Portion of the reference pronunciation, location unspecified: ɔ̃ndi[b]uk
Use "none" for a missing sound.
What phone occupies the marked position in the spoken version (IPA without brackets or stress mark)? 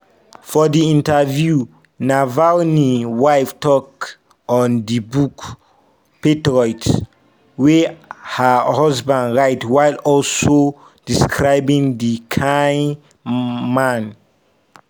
b